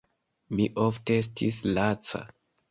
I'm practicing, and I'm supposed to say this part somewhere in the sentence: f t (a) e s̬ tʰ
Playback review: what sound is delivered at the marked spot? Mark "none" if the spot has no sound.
e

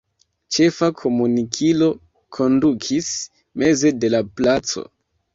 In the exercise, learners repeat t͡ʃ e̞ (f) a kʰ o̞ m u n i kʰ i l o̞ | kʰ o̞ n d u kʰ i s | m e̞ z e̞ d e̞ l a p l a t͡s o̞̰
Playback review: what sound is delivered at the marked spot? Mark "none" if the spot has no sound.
f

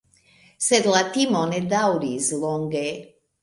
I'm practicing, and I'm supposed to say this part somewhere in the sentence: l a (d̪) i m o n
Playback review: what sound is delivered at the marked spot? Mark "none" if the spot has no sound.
t̪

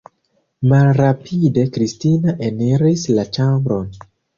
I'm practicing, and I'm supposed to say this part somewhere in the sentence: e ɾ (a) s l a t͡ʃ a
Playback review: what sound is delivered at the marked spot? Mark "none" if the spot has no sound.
i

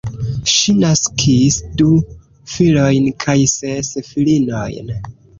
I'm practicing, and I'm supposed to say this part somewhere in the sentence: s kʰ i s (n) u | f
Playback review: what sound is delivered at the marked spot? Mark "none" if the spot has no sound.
d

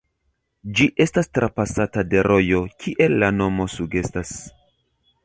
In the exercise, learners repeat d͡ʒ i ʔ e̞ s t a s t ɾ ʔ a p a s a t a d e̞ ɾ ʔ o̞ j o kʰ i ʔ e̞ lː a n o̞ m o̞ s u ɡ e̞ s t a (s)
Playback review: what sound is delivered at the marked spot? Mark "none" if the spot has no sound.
s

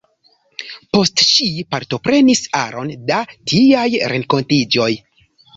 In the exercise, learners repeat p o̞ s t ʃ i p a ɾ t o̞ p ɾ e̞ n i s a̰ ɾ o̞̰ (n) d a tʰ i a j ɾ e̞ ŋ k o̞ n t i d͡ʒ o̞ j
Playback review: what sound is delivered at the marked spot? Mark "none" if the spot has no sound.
n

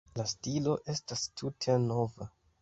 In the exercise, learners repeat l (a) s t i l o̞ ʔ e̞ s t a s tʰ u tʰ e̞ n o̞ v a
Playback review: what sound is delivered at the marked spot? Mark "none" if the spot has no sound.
a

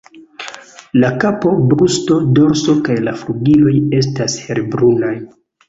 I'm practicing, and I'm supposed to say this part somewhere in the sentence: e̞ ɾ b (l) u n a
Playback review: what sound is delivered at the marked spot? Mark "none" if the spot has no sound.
ɾ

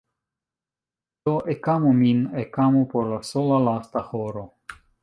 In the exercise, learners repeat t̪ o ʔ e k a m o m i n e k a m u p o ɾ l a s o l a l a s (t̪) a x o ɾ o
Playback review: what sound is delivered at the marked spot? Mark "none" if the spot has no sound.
t̪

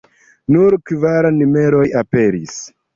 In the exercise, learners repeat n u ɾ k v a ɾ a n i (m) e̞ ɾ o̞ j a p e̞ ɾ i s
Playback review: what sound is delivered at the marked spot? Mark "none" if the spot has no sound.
m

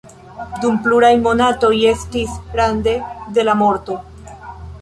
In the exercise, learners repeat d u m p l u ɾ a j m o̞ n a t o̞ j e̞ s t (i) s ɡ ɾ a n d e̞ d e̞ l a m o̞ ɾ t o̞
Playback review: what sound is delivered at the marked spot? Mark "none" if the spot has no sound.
i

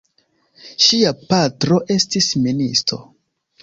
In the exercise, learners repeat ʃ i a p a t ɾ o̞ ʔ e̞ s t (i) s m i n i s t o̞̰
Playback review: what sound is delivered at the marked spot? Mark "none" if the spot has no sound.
i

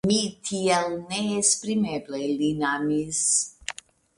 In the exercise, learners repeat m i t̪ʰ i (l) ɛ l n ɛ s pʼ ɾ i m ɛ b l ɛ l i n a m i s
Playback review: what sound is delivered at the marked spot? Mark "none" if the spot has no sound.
none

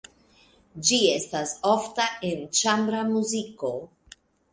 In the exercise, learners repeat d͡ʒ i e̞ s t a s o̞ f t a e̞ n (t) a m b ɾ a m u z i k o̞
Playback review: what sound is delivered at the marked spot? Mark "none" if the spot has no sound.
t͡ʃ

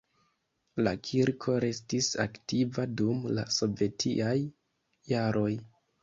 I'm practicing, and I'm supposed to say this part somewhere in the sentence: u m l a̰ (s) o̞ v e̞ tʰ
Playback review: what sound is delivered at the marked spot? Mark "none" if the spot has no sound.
s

